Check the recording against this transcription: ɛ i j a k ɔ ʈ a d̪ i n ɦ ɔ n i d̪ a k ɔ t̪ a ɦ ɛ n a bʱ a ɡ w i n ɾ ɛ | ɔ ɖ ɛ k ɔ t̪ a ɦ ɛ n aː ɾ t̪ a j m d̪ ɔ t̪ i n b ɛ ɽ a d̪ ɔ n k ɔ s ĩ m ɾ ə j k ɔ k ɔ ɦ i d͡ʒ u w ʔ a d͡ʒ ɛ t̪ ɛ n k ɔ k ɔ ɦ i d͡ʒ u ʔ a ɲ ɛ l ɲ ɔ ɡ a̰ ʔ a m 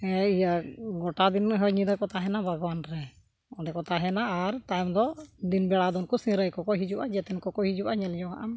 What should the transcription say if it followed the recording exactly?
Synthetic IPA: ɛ i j a ɡ ɔ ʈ a d̪ i n ɦ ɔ ɲ i d̪ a k ɔ t̪ a ɦ ɛ n a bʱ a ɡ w a n ɾ ɛ | ɔ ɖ ɛ k ɔ t̪ a ɦ ɛ n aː ɾ t̪ a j m d̪ ɔ d̪ i n b ɛ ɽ a d̪ ɔ n k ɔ s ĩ ɾ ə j k ɔ k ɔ ɦ i d͡ʒ u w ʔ a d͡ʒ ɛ t̪ ɛ n k ɔ k ɔ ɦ i d͡ʒ u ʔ a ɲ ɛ l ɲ ɔ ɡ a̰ ʔ a m